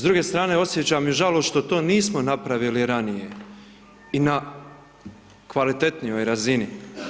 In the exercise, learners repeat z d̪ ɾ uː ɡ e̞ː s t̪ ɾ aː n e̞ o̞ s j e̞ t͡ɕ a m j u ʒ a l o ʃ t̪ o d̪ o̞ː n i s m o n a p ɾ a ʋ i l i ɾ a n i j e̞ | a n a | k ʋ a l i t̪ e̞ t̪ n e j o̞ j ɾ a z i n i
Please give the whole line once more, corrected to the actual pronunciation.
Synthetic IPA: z d̪ ɾ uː ɡ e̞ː s t̪ ɾ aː n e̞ o̞ s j e̞ t͡ɕ a m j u ʒ a l o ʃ t̪ o t̪ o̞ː n iː s m o n a p ɾ a ʋ i l i ɾ a n i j e̞ | i n a | k ʋ a l i t̪ e̞ t̪ n i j o̞ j ɾ a z i n i